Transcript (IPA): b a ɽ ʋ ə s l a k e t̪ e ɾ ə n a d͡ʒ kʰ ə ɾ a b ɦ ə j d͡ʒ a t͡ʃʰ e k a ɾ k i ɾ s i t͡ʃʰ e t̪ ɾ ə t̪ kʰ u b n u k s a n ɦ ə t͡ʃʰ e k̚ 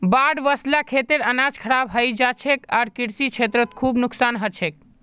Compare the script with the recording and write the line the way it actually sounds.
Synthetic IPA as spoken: b a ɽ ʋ ə s l a kʰ e t̪ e ɾ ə n a d͡ʒ kʰ ə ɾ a b ɦ ə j d͡ʒ a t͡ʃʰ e k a ɾ k i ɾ s i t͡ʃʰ e t̪ ɾ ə t̪ kʰ u b n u k s a n ɦ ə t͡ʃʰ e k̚

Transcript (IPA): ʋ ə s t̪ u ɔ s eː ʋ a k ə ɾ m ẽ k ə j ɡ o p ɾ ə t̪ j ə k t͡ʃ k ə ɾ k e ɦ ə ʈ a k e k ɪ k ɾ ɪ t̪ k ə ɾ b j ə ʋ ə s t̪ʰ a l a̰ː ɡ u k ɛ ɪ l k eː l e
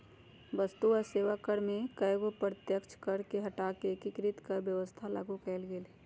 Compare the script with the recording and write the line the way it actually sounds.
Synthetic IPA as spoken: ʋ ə s t̪ u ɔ s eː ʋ a k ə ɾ m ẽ k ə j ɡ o p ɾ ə t̪ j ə k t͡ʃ k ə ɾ k e ɦ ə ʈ a k e k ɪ k ɾ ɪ t̪ k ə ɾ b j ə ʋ ə s t̪ʰ a l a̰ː ɡ u k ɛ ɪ l ɡ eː l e

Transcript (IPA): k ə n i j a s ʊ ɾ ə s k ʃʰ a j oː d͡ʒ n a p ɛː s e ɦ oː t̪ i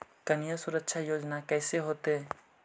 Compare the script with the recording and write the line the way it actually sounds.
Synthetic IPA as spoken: k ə n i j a s ʊ ɾ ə k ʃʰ a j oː d͡ʒ n a k ɛː s e ɦ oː t̪ e

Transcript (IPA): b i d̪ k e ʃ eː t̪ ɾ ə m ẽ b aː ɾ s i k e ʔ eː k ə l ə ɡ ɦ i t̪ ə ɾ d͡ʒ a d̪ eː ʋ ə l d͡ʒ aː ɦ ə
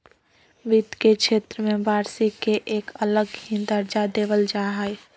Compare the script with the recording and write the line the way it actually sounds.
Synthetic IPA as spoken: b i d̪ k e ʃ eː t̪ ɾ ə m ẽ b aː ɾ s i k e ʔ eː k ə l ə ɡ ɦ i d̪ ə ɾ d͡ʒ a d̪ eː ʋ ə l d͡ʒ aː ɦ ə

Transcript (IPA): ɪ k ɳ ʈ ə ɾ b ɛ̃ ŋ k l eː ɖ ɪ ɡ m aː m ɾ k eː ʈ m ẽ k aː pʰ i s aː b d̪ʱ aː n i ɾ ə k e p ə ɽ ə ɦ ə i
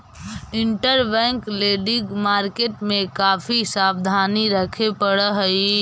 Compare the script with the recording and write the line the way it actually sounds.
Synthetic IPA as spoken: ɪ ɳ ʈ ə ɾ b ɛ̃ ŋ k l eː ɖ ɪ ɡ m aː ɾ k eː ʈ m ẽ k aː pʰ i s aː b d̪ʱ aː n i ɾ ə kʰ e p ə ɽ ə ɦ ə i

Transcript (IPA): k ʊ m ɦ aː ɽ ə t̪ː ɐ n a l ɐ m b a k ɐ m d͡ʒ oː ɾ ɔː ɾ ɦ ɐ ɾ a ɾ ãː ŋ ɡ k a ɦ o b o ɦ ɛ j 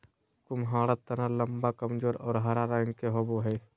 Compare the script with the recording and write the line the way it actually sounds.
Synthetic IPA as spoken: k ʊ m ɦ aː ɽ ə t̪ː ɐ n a l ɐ m b a k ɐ m d͡ʒ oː ɾ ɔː ɾ ɦ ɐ ɾ a ɾ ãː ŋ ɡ k e ɦ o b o ɦ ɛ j

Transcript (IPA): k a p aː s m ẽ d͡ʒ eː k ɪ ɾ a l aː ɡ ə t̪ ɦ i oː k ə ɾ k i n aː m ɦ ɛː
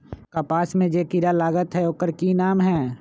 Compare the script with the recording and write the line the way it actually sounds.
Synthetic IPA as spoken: k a p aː s m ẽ d͡ʒ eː k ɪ ɾ a l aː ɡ ə t̪ ɦ ɛ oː k ə ɾ k i n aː m ɦ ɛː

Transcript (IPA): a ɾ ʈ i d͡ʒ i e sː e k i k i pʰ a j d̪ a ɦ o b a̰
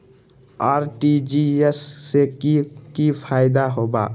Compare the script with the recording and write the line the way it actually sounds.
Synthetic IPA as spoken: a ɾ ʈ i d͡ʒ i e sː e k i k i pʰ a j d̪ a ɦ o b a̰

